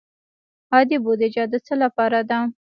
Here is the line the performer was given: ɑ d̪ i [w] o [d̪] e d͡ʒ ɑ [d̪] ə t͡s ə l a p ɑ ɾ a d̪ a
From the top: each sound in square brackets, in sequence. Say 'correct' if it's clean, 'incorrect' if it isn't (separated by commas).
incorrect, correct, correct